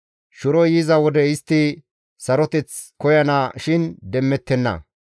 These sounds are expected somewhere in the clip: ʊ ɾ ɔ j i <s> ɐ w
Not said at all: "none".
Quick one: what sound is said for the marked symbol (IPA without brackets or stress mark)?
z